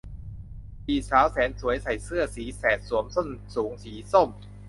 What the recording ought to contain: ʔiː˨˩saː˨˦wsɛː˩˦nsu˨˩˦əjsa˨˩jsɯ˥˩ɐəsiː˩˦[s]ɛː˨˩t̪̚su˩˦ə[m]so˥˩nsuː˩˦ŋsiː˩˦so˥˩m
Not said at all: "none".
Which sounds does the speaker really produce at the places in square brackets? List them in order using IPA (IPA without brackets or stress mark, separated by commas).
s, m